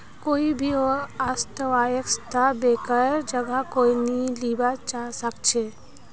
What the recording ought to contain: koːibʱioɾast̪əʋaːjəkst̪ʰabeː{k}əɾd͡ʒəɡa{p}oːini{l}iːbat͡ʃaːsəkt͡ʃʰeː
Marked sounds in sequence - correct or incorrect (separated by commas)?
correct, incorrect, correct